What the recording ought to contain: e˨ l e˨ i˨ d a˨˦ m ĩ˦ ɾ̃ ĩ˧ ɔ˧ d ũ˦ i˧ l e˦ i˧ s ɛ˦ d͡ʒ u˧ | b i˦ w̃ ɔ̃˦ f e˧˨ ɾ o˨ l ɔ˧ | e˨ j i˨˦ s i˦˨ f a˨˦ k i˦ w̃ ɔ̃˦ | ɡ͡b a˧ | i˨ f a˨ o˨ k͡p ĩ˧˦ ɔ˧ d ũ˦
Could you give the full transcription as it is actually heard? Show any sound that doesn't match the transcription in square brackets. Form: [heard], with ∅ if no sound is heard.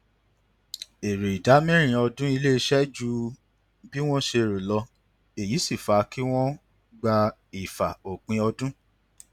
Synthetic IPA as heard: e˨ [ɾ] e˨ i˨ d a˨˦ m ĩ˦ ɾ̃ ĩ˧ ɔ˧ d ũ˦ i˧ l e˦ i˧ [ʃ] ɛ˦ d͡ʒ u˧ | b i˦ w̃ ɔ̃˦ [ʃ] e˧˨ ɾ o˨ l ɔ˧ | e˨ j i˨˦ s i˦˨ f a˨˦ k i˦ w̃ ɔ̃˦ | ɡ͡b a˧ | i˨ f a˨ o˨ k͡p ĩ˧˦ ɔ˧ d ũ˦